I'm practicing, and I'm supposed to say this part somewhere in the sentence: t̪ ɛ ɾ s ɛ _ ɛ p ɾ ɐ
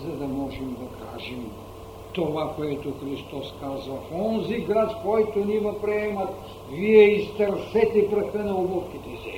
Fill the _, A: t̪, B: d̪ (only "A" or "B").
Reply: A